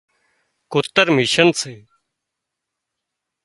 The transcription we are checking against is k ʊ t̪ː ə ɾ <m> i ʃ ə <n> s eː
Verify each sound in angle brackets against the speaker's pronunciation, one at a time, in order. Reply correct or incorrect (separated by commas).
correct, correct